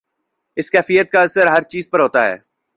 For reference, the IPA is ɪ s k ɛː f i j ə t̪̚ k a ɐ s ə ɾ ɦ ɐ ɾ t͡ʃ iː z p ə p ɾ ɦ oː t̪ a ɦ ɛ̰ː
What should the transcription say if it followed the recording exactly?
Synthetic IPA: ɪ s k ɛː f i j ə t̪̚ k a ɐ s ə ɾ ɦ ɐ ɾ t͡ʃ iː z p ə ɾ ɦ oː t̪ a ɦ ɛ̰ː